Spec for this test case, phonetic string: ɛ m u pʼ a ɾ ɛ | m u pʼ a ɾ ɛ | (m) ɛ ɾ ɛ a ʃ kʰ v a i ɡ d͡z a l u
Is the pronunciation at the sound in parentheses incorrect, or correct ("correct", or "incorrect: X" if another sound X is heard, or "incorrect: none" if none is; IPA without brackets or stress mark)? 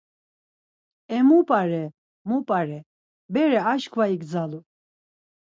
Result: incorrect: b